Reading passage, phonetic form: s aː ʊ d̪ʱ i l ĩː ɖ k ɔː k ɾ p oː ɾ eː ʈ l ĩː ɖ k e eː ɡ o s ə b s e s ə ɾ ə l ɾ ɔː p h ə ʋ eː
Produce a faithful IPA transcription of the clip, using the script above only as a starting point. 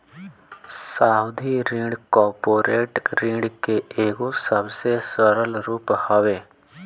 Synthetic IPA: s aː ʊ d̪ʱ i ɾ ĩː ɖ k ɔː ɾ p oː ɾ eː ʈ ɾ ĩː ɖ k e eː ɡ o s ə b s e s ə ɾ ə l ɾ uː p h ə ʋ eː